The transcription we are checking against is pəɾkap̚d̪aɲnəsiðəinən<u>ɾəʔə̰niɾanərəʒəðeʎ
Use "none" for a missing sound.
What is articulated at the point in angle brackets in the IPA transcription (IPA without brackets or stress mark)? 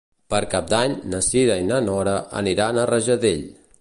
ɔ